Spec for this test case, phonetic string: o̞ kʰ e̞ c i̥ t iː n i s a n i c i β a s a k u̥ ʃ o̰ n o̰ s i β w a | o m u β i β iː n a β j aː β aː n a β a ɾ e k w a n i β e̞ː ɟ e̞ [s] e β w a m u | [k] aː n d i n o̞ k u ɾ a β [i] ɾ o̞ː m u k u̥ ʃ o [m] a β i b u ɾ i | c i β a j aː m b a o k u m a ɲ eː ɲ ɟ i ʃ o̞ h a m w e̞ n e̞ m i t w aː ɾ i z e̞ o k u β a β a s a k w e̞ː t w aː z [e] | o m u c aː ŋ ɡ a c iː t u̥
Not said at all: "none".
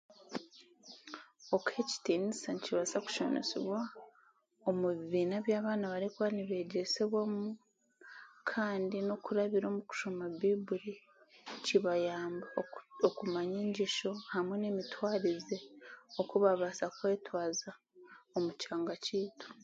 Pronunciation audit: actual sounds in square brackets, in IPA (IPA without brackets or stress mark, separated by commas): s, kʰ, i, m, a